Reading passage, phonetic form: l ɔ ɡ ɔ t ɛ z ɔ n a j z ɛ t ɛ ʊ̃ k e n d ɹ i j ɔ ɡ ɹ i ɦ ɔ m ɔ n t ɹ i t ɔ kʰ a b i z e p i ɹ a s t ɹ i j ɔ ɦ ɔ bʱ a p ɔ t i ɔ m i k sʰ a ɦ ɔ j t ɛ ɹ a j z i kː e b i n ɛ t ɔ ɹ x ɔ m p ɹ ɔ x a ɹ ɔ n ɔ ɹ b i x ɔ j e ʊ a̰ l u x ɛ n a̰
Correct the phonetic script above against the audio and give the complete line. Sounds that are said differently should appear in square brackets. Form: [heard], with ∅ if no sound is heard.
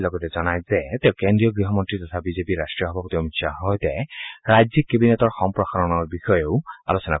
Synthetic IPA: l ɔ ɡ ɔ t ɛ z ɔ n a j z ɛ t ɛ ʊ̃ k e n d ɹ i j ɔ ɡ ɹ i ɦ ɔ m ɔ n t ɹ i t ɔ [tʰ] a b i z e p i ɹ a s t ɹ i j ɔ ɦ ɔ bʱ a p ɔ t i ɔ m i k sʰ a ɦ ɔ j t ɛ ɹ a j z i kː e b i n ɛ t ɔ ɹ x ɔ m p ɹ ɔ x a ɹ ɔ n ɔ ɹ b i x ɔ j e ʊ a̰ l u [s] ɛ n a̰

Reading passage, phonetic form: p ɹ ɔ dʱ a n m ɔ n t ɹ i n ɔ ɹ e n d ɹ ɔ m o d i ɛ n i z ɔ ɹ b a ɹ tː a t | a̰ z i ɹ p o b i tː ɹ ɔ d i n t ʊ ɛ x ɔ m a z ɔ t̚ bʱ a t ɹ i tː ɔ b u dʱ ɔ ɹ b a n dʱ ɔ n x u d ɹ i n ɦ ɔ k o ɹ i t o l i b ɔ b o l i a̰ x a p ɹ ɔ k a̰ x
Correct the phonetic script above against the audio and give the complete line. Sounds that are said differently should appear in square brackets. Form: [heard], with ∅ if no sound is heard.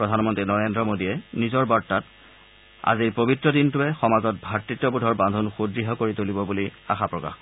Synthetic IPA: p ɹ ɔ dʱ a n m ɔ n t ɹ i n ɔ ɹ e n d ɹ ɔ m o d i ɛ n i z ɔ ɹ b a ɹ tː a t | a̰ z i ɹ p o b i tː ɹ ɔ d i n t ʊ ɛ x ɔ m a z ɔ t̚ bʱ a t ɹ i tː ɔ b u dʱ ɔ ɹ b a n dʱ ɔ n x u d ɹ i [∅] ɦ ɔ k o ɹ i t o l i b ɔ b [u] l i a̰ x a p ɹ ɔ k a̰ x

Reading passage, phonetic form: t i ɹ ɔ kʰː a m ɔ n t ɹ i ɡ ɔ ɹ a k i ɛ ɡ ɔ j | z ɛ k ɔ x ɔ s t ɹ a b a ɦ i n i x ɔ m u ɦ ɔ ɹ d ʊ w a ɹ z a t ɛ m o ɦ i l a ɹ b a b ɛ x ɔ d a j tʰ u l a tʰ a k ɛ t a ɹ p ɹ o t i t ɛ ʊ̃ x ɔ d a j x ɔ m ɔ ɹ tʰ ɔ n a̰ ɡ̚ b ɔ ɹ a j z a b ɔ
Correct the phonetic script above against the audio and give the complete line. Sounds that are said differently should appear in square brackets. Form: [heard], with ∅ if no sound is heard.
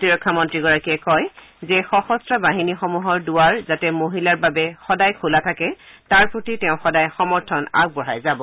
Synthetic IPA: t i ɹ ɔ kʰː a m ɔ n t ɹ i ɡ ɔ ɹ a k i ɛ [k] ɔ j | z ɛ [x] ɔ x ɔ s t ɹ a b a ɦ i n i x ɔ m u ɦ ɔ ɹ d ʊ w a ɹ z a t ɛ m o ɦ i l a ɹ b a b ɛ x ɔ d a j [kʰ] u l a tʰ a k ɛ t a ɹ p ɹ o t i t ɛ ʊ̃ x ɔ d a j x ɔ m ɔ ɹ tʰ ɔ n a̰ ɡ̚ b ɔ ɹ a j z a b ɔ

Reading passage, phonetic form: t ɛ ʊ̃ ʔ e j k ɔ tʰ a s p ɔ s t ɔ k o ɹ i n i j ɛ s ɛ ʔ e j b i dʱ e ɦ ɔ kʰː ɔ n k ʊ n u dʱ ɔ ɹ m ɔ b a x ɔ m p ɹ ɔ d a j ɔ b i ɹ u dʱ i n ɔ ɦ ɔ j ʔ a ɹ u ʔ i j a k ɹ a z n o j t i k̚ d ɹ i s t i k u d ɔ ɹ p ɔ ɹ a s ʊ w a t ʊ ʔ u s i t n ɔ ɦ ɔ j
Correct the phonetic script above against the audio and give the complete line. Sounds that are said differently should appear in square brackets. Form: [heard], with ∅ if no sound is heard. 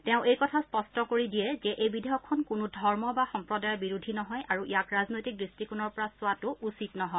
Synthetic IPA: t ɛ ʊ̃ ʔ e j k ɔ tʰ a s p ɔ s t ɔ k o ɹ i [d] i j ɛ [z] ɛ ʔ e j b i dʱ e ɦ ɔ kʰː ɔ n k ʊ n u dʱ ɔ ɹ m ɔ b a x ɔ m p ɹ ɔ d a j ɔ b i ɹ u dʱ i n ɔ ɦ ɔ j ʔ a ɹ u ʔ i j a k ɹ a z n o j t i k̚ d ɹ i s t i k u [n] ɔ ɹ p ɔ ɹ a s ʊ w a t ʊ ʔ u s i t n ɔ ɦ ɔ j

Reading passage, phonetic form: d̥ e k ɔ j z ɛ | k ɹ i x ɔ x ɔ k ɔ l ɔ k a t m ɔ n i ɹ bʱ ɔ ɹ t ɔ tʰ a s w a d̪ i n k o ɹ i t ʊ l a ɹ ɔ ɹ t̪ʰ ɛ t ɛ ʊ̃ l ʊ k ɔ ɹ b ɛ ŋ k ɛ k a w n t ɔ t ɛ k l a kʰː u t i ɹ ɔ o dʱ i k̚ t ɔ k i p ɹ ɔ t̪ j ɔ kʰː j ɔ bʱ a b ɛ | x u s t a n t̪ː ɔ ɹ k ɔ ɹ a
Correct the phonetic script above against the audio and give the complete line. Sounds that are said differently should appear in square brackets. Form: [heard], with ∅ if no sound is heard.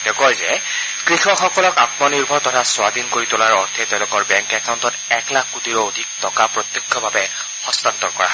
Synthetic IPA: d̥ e k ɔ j z ɛ | k ɹ i x ɔ x ɔ k ɔ l ɔ k a t m ɔ n i ɹ bʱ ɔ ɹ t ɔ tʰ a s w a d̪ i n k o ɹ i t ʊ l a ɹ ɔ ɹ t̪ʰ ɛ t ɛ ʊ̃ l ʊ k ɔ ɹ b ɛ ŋ k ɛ k a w n t ɔ t ɛ k l a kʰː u t i ɹ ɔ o dʱ i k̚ t ɔ k [a] p ɹ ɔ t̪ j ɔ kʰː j ɔ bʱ a b ɛ | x [ɔ] s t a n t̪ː ɔ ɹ k ɔ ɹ a

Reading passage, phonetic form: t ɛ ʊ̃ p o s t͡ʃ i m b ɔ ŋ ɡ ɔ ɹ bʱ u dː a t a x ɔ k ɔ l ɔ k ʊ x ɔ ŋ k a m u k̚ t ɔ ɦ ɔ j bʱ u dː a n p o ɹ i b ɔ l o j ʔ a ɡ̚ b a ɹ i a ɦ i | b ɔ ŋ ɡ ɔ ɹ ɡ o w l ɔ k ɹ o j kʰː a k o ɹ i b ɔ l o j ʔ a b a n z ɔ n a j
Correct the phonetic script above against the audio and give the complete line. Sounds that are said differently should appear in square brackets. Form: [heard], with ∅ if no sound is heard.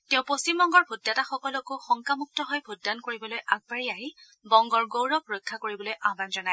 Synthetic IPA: t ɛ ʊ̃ p o s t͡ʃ i m b ɔ ŋ ɡ ɔ ɹ bʱ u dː a t a x ɔ k ɔ l ɔ k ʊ x ɔ ŋ k a m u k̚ t ɔ ɦ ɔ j bʱ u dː a n [k] o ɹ i b ɔ l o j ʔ a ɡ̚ b a ɹ i a ɦ i | b ɔ ŋ ɡ ɔ ɹ ɡ o w [ɹ] ɔ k ɹ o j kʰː a k o ɹ i b ɔ l o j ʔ a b a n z ɔ n a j

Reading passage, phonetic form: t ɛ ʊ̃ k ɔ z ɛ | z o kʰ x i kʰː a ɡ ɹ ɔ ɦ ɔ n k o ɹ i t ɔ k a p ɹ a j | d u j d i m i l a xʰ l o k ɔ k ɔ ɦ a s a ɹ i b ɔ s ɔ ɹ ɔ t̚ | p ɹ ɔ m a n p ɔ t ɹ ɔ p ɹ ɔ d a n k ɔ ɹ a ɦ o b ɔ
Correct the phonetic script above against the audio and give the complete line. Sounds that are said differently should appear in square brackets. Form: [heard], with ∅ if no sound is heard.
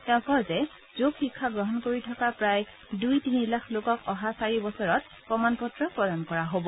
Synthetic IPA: t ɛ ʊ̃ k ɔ z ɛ | z o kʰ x i kʰː a ɡ ɹ ɔ ɦ ɔ n k o ɹ i [tʰ] ɔ k a p ɹ a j | d u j [t] i [n] i l a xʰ l o k ɔ k ɔ ɦ a s a ɹ i b ɔ s ɔ ɹ ɔ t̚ | p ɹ ɔ m a n p ɔ t ɹ ɔ p ɹ ɔ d a n k ɔ ɹ a ɦ o b ɔ

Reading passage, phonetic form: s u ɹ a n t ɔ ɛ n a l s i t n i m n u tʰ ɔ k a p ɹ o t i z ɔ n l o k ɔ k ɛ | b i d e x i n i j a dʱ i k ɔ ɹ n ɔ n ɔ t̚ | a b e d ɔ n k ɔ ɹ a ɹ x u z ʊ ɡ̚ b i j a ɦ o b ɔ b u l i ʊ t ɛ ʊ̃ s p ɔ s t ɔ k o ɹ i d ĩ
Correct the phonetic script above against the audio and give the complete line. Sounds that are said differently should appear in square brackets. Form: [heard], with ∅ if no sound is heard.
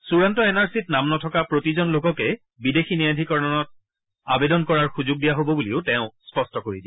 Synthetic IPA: s u ɹ a n t ɔ ɛ n a [ɹ] s i t n [a] m n [ɔ] tʰ ɔ k a p ɹ o t i z ɔ n l o k ɔ k ɛ | b i d e x i n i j a dʱ i k ɔ ɹ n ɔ n ɔ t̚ | a b e d ɔ n k ɔ ɹ a ɹ x u z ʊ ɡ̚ [d] i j a ɦ o b ɔ b u l i ʊ t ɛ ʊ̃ s p ɔ s t ɔ k o ɹ i d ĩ

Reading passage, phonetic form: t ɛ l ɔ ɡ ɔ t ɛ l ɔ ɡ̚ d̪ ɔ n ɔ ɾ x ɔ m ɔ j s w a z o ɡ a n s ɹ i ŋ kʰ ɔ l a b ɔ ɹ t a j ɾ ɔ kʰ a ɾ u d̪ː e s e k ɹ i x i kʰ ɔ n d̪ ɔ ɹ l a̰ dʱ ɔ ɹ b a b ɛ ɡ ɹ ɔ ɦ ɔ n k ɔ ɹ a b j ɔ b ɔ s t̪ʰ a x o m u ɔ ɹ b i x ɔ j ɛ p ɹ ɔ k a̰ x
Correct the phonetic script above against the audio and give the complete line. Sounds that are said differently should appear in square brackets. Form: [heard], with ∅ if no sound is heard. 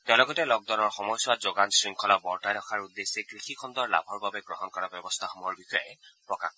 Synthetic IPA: t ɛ l ɔ ɡ ɔ t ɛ l ɔ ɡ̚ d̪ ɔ n ɔ [ɹ] x ɔ m ɔ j s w a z o ɡ a n s ɹ i ŋ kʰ ɔ l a b ɔ ɹ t a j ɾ ɔ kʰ a [ɹ] u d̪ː e s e k ɹ i x i kʰ ɔ n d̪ ɔ ɹ l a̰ [bʱ] ɔ ɹ b a b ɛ ɡ ɹ ɔ ɦ ɔ n k ɔ ɹ a b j ɔ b ɔ s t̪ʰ a x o m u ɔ ɹ b i x ɔ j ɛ p ɹ ɔ k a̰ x

